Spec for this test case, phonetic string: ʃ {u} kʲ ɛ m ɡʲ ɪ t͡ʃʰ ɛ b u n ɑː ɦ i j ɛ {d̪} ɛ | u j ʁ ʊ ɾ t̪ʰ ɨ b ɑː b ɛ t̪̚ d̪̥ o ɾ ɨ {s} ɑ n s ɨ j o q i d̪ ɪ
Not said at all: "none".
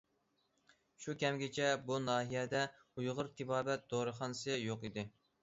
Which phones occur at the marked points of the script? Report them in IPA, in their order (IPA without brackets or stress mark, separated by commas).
u, d̪, χ